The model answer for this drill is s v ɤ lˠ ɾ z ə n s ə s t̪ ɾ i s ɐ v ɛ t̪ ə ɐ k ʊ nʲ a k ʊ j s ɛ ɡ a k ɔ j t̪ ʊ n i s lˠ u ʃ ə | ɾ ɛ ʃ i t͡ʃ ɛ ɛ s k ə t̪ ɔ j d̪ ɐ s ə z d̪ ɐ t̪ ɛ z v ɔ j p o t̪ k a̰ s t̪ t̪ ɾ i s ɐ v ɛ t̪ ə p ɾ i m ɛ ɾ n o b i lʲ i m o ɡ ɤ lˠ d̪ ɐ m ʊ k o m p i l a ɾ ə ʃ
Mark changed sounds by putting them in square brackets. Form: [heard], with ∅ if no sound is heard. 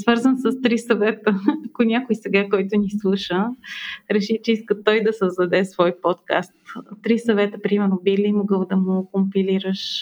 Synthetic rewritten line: s v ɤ [∅] ɾ z ə n s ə s t̪ ɾ i s ɐ v ɛ t̪ ə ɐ k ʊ nʲ a k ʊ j s ɛ ɡ a k ɔ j t̪ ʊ n i s lˠ u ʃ ə | ɾ ɛ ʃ i t͡ʃ ɛ [i] s k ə t̪ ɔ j d̪ ɐ s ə z d̪ ɐ [d̪] ɛ [s] v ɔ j p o t̪ k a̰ s t̪ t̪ ɾ i s ɐ v ɛ t̪ ə p ɾ i m ɛ ɾ n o b i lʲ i m o ɡ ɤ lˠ d̪ ɐ m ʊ k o m p i l [i] ɾ ə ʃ